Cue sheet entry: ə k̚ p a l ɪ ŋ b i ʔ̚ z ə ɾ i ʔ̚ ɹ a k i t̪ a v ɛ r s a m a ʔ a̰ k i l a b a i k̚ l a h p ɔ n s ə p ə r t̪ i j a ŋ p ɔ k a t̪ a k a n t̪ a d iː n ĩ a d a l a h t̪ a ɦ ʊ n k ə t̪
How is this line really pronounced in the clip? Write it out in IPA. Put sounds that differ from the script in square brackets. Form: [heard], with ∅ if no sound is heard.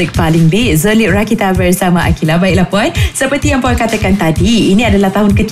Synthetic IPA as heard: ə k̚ p a l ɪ ŋ b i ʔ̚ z ə [l] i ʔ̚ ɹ a k i t̪ a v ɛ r s a m a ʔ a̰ k i l a b a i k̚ l a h p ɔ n s ə p ə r t̪ i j a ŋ p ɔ k a t̪ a k a n t̪ a d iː n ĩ a d a l a h t̪ a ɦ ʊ n k ə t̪